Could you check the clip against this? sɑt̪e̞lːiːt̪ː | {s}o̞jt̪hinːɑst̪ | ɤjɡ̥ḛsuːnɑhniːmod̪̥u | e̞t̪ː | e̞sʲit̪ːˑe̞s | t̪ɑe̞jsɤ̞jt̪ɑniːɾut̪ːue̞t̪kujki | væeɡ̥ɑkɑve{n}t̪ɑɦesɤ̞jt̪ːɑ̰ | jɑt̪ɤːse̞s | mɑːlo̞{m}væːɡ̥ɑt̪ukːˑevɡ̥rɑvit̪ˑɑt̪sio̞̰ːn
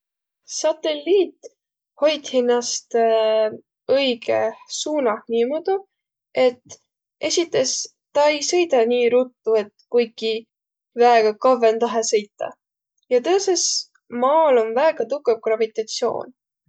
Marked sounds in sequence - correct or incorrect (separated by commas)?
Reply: incorrect, correct, incorrect